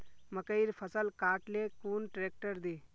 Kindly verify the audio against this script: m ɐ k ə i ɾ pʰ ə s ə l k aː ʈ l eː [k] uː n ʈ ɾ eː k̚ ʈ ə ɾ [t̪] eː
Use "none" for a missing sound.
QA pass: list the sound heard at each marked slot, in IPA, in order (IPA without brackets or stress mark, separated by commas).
k, d̪